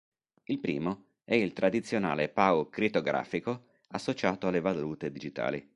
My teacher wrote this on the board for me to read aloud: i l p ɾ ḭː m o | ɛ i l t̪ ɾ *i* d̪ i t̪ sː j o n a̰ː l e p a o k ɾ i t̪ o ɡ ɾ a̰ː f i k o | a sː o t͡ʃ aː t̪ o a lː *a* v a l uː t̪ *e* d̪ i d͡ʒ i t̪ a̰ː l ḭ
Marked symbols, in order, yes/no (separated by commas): no, no, yes